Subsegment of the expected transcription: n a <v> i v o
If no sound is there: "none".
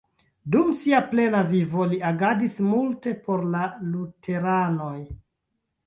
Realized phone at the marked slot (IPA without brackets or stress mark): v